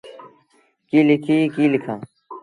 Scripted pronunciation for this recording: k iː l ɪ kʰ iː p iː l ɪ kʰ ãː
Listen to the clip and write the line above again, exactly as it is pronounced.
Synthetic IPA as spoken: k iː l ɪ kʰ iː k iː l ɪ kʰ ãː